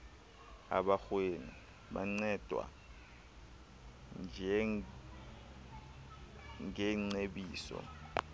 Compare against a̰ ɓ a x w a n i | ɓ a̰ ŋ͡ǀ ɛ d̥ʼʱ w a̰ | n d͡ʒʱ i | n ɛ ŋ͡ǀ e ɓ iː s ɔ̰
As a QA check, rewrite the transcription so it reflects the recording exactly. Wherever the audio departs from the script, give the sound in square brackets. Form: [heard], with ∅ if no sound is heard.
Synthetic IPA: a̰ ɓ a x w [e] n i | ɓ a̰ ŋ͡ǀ ɛ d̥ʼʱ w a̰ | n d͡ʒʱ [ɛ] | [ŋ] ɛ ŋ͡ǀ e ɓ iː s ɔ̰